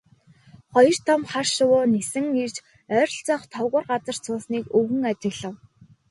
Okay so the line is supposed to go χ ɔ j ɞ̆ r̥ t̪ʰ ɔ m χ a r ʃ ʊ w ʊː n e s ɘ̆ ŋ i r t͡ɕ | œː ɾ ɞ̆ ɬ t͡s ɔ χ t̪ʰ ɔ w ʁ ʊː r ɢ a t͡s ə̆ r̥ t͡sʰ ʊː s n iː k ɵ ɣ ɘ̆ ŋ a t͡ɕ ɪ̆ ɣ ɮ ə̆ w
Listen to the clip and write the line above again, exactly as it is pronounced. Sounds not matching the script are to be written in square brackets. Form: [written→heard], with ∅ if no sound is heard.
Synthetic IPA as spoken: χ ɔ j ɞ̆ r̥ t̪ʰ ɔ m χ a r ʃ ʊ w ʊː n e s ɘ̆ ŋ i r t͡ɕ | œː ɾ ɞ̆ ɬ t͡s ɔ χ t̪ʰ ɔ w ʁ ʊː r ɢ a t͡s ə̆ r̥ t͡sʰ ʊː s n iː k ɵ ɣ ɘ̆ ŋ a t͡ɕ ɪ̆ ɣ ɮ ə̆ w